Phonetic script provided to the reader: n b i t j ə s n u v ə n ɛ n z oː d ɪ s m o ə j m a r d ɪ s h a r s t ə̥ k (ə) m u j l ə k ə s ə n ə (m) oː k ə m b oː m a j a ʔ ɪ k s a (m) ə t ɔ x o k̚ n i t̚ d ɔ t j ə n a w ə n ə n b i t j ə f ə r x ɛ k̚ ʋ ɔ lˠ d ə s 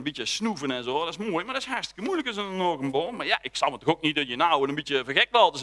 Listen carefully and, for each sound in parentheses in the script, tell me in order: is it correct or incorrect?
correct, incorrect: n, correct

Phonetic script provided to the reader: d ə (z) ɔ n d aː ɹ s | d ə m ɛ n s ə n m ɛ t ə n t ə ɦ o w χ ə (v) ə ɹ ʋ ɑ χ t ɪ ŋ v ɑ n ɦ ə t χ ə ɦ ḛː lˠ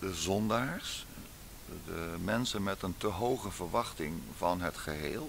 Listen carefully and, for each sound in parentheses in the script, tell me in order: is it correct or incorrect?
correct, correct

